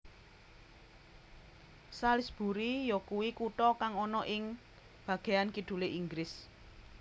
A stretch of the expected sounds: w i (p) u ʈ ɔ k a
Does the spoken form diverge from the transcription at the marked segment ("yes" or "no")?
yes